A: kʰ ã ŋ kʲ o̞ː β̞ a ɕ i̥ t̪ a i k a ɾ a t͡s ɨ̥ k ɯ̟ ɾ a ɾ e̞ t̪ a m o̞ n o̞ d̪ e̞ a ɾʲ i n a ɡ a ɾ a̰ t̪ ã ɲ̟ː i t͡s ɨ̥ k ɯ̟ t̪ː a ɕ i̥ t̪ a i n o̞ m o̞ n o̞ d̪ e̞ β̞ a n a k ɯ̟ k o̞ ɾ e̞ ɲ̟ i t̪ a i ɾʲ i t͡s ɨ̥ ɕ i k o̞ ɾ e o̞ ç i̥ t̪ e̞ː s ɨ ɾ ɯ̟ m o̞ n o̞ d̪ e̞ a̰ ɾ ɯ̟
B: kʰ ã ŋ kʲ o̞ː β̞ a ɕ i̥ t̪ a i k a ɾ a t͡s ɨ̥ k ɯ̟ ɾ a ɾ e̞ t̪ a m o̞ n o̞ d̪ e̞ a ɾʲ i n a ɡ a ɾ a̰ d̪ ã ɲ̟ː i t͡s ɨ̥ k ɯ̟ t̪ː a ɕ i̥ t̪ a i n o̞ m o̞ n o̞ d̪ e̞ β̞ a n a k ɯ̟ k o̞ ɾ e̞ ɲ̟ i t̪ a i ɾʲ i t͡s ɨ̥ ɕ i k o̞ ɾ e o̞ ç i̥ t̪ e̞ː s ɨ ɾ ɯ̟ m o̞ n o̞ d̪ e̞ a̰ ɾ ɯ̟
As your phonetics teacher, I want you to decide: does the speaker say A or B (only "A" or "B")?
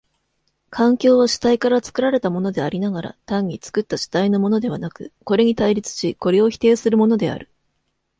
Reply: A